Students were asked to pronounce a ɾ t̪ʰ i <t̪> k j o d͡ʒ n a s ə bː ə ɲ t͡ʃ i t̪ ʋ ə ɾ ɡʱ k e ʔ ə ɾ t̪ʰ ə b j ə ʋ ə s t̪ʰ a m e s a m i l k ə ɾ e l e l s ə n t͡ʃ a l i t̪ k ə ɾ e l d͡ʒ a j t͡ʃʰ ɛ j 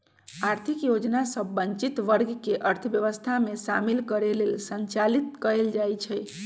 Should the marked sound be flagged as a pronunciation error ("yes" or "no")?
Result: yes